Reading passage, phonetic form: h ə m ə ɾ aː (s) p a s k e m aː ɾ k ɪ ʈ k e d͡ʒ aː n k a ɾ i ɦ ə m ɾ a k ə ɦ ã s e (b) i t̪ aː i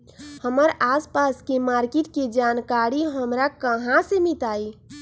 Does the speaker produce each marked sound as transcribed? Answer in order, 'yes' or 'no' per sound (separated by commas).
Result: yes, no